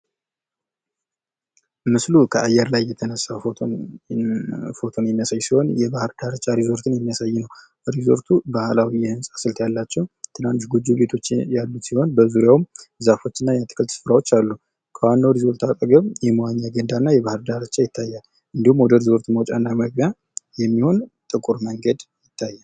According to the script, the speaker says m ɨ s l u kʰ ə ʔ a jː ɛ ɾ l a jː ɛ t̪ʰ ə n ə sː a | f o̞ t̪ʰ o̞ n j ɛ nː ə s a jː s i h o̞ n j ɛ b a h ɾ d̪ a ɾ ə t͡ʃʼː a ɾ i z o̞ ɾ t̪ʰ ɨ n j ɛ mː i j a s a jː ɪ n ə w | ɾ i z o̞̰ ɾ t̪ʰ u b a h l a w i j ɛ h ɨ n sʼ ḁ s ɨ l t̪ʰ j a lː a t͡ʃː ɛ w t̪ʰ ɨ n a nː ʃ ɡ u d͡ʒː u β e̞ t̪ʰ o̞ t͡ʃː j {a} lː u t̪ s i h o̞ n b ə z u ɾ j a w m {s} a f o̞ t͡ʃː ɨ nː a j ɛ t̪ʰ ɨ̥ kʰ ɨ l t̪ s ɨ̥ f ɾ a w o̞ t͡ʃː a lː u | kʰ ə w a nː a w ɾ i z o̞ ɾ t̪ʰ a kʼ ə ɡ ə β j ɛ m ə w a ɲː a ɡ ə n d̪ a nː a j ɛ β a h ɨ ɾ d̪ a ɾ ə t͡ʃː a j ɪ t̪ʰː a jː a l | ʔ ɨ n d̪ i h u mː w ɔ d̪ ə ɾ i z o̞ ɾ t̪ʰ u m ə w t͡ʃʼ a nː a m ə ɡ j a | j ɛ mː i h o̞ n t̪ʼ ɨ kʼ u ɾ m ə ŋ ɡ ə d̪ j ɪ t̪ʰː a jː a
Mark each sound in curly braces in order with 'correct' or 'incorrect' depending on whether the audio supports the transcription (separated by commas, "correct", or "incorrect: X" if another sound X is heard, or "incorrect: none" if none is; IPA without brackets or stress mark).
correct, incorrect: z